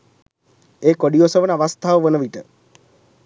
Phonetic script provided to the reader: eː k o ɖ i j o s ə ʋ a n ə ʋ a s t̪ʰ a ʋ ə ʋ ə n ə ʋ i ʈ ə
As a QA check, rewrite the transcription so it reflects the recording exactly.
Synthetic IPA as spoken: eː k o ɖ i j o s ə ʋ ə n a ʋ a s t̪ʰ a ʋ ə ʋ ə n ə ʋ i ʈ ə